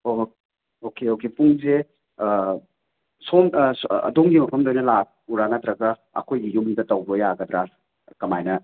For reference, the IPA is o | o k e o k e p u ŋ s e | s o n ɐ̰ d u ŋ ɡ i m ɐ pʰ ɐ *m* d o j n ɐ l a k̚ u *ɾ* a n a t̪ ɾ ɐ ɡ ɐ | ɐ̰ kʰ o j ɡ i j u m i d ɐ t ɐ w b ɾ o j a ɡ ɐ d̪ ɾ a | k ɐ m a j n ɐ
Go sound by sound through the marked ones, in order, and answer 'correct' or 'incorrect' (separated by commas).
correct, correct